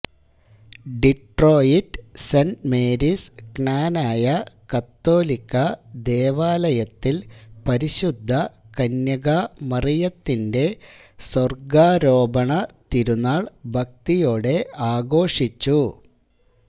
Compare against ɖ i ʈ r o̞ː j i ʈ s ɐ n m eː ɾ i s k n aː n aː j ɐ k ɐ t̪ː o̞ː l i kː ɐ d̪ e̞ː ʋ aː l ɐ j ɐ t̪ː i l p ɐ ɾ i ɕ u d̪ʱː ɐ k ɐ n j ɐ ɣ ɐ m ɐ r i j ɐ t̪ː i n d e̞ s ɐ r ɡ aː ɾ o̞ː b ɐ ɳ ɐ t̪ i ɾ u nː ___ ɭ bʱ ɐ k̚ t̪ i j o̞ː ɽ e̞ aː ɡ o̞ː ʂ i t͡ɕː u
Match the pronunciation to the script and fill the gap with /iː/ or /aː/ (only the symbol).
aː